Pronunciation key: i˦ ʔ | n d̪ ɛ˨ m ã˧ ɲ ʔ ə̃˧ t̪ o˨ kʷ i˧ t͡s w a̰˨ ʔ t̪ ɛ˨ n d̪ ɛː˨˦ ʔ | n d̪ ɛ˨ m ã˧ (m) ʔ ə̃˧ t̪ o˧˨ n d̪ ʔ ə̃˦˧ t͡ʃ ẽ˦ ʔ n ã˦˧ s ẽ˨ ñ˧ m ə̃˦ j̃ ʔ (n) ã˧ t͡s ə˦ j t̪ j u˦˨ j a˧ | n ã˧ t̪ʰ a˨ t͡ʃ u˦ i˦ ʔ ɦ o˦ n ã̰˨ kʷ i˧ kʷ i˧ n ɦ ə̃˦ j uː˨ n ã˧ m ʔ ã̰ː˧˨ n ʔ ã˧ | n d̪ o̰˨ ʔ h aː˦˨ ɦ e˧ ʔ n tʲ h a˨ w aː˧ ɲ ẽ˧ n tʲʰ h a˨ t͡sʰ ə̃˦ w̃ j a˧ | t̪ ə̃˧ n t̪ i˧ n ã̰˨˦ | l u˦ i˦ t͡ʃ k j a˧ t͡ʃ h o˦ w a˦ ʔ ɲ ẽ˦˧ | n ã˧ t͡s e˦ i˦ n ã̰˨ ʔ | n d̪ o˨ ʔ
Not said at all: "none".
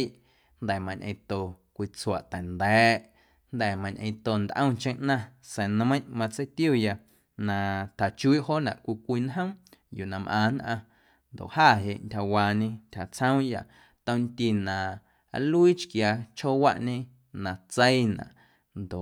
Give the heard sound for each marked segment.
ɲ, m

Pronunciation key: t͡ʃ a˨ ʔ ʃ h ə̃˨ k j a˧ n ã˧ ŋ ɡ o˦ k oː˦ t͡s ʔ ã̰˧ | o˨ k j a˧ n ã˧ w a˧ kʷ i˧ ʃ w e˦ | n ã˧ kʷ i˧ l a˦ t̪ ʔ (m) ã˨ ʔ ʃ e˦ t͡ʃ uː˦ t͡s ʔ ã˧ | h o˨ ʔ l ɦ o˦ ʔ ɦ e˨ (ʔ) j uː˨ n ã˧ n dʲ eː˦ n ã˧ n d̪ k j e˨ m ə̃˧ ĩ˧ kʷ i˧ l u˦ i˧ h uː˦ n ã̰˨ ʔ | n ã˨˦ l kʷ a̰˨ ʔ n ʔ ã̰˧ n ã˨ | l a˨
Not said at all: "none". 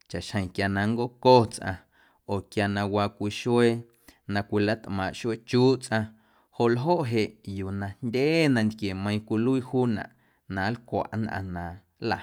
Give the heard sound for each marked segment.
m, ʔ

